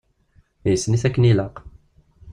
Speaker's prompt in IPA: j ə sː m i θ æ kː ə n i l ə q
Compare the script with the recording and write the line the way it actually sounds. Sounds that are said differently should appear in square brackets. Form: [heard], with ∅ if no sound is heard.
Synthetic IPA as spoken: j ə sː [n] i θ æ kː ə n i l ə q